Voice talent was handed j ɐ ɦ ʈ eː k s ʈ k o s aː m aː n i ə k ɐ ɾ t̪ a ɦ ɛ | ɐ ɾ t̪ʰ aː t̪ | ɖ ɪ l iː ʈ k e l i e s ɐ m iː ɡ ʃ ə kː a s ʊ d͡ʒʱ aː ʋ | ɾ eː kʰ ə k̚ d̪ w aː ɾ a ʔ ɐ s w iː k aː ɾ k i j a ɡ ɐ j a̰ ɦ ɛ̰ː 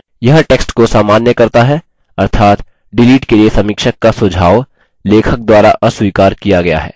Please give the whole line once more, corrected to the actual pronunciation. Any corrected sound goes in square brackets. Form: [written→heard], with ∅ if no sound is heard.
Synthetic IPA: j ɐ ɦ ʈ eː k s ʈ k o s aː m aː n [i→j] ə k ɐ ɾ t̪ a ɦ ɛ | ɐ ɾ t̪ʰ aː t̪ | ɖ ɪ l iː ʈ k e l i e s ɐ m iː [ɡ→k] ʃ ə kː a s ʊ d͡ʒʱ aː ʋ | [ɾ→l] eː kʰ ə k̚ d̪ w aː ɾ a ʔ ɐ s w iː k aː ɾ k i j a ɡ ɐ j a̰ ɦ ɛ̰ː